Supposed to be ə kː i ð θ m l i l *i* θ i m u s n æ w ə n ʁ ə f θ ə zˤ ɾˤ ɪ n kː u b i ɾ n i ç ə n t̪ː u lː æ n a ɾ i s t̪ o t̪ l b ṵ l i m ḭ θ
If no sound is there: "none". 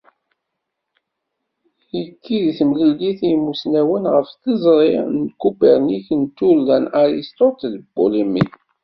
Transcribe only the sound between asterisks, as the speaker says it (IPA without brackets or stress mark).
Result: i